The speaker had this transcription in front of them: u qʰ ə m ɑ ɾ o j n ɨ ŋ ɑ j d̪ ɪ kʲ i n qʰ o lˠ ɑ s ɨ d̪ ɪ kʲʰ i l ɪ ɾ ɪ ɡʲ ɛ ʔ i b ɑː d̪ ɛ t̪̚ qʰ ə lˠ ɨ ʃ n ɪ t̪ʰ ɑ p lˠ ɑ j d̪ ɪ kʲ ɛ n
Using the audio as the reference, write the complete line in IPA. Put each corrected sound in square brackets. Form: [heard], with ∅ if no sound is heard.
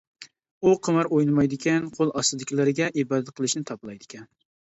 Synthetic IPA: u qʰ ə m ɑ ɾ o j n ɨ [m] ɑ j d̪ ɪ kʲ [ɛ] n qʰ o lˠ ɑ s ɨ d̪ ɪ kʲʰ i l ɪ ɾ ɪ ɡʲ ɛ ʔ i b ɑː d̪ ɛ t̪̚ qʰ ə lˠ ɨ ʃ n ɪ t̪ʰ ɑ p lˠ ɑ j d̪ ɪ kʲ ɛ n